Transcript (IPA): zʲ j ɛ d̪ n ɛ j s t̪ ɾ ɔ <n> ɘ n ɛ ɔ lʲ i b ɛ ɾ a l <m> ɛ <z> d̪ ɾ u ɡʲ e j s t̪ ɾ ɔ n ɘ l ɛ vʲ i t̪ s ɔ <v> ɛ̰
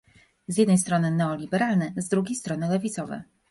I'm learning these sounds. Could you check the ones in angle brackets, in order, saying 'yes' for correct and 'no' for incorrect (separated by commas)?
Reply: yes, no, yes, yes